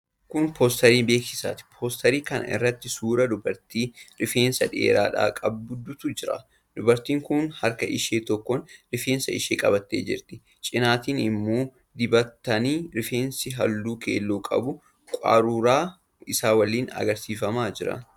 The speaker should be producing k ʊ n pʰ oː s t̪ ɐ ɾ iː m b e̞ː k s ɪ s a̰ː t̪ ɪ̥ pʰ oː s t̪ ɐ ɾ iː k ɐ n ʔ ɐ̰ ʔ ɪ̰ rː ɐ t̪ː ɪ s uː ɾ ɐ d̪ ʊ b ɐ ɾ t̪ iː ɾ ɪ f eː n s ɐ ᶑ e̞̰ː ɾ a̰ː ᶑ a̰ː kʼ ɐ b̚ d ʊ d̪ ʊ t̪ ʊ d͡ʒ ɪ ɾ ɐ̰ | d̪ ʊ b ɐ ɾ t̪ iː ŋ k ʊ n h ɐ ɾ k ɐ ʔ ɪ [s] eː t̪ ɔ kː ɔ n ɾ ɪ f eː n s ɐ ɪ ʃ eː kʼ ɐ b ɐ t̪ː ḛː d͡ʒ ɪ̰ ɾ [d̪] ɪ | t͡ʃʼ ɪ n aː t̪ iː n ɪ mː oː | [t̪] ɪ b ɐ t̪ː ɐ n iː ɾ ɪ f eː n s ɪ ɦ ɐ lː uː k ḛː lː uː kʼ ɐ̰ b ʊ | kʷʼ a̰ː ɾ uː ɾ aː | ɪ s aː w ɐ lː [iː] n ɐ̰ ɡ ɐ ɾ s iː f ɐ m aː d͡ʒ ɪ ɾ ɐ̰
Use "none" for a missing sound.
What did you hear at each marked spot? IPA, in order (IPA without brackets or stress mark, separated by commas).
ʃ, t̪, d̪, iː